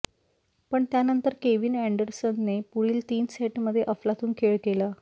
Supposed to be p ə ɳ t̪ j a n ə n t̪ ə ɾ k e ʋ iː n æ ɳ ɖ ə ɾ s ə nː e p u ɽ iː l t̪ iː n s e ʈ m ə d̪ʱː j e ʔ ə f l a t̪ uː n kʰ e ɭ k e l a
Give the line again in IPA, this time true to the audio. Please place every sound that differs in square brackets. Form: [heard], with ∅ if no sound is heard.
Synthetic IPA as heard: p ə ɳ t̪ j a n ə n t̪ ə ɾ k e ʋ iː n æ ɳ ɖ ə ɾ s ə nː e p u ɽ iː l t̪ iː n s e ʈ m ə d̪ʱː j e ʔ ə f l a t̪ uː n kʰ e ɭ k e l a